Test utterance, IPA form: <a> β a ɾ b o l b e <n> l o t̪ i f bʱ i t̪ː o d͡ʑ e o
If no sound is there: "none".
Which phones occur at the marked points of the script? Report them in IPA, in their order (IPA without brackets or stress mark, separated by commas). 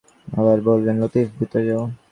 a, n